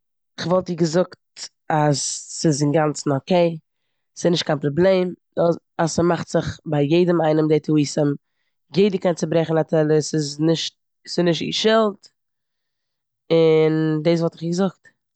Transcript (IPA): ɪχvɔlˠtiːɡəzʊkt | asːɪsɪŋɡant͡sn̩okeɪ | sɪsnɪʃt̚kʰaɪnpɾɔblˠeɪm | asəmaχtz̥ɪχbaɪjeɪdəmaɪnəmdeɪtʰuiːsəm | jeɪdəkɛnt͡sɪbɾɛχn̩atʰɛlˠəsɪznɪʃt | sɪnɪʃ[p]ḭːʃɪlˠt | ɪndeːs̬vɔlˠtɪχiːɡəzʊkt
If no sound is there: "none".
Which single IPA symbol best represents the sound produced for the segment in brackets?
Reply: t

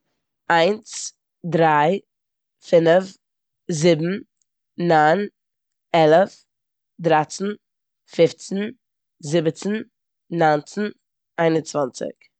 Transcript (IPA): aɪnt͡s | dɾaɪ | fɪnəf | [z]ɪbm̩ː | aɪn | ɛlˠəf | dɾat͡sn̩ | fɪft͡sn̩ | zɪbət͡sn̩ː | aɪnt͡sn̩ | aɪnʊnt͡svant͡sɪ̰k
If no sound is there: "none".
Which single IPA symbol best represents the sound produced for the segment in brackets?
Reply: z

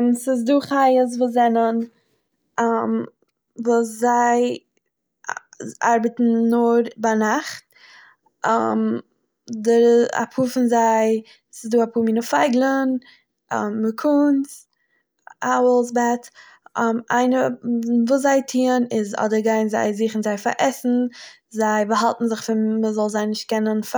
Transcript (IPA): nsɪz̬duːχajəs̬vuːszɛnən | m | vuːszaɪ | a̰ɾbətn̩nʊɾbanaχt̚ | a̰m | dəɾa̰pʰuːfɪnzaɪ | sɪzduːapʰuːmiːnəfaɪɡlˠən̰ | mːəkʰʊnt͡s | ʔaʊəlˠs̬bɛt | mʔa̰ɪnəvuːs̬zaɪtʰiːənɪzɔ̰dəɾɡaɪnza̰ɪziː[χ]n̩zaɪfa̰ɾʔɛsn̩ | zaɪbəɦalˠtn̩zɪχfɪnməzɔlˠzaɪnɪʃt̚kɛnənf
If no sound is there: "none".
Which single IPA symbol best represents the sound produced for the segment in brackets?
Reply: χ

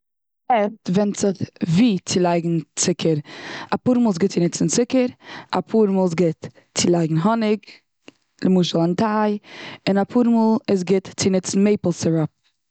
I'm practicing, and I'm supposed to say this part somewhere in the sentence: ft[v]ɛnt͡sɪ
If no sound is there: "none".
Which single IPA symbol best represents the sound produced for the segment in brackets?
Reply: v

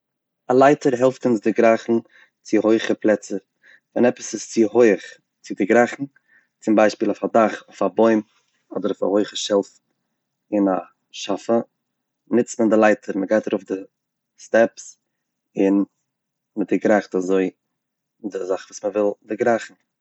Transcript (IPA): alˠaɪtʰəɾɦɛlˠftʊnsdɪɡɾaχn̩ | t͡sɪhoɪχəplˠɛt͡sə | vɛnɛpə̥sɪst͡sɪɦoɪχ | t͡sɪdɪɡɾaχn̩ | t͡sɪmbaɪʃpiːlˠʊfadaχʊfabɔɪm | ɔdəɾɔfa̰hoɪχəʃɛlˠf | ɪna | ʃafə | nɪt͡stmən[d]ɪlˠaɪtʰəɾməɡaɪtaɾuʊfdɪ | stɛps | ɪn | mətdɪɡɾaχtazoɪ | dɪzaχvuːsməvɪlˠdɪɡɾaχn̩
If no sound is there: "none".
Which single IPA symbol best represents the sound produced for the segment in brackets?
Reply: d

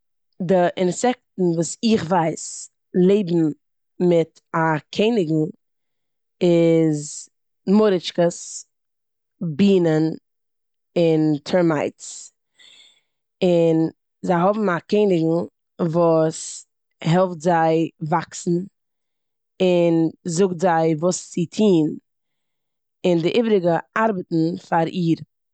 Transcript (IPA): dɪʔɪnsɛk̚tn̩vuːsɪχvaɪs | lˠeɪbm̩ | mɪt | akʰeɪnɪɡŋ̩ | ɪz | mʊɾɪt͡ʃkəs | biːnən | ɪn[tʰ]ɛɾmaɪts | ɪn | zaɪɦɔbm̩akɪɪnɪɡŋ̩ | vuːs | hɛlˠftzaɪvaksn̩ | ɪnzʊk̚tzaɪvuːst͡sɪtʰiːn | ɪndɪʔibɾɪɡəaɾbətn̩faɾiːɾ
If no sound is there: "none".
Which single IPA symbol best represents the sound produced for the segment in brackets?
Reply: tʰ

